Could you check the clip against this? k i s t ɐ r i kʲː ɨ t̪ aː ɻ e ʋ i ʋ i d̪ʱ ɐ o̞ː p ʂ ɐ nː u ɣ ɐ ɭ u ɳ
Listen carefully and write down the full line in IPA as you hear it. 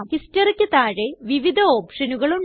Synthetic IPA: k i s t ɐ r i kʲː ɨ t̪ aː ɻ e ʋ i ʋ i d̪ʱ ɐ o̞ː p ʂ ɐ n u ɣ ɐ ɭ u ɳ